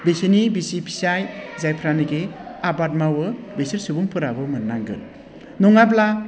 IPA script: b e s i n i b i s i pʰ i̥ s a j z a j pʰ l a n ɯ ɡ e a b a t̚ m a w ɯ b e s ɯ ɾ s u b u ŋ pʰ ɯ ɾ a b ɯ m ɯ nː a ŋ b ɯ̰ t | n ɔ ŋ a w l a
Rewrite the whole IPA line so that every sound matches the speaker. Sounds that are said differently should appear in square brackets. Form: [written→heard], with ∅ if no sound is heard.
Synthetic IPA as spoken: b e s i n i b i s i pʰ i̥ s a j z a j pʰ [l→ɾ] a n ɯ ɡ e a b a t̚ m a w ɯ b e s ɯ ɾ s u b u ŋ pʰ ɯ ɾ a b ɯ m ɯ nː a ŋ [b→ɡ] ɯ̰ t | n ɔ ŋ a [w→b] l a